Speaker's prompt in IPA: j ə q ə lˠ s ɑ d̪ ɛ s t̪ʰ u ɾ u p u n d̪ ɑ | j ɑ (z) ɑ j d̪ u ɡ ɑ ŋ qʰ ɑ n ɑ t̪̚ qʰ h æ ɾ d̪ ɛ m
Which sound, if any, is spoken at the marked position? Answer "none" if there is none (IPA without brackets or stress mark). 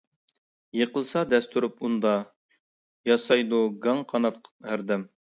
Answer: s